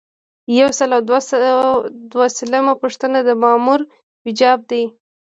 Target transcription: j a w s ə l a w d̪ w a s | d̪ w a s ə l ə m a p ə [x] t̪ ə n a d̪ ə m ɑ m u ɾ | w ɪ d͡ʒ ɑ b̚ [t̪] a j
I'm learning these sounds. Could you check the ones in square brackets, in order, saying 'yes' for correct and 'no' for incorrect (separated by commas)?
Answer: no, no